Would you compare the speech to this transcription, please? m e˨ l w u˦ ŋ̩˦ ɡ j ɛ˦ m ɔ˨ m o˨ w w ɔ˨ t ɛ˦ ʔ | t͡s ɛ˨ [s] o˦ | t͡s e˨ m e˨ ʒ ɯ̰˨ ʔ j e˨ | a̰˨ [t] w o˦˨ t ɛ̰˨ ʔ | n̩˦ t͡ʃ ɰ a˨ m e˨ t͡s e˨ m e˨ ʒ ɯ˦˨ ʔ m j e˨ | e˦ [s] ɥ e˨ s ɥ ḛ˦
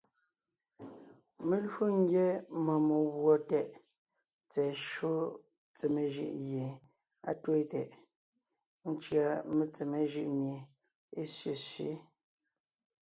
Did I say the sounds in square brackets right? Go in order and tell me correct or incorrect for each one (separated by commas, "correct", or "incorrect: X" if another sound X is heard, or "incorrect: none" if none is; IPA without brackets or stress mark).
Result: incorrect: ʃ, correct, correct